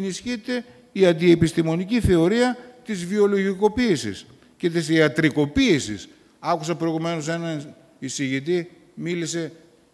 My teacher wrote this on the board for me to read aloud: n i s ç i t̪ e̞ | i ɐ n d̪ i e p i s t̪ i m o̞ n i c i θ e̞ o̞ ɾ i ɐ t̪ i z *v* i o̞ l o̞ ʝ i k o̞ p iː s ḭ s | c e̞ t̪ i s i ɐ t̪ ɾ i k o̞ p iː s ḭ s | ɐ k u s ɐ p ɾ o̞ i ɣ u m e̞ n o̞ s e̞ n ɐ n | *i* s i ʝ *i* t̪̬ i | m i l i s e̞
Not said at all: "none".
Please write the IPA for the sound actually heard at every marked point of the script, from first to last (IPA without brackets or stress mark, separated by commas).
v, i, i